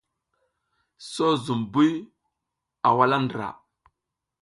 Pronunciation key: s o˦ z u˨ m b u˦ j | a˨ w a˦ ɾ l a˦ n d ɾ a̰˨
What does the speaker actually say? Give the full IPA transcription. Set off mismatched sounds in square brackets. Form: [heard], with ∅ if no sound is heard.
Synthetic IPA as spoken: s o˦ z u˨ m b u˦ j | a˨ w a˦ [∅] l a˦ n d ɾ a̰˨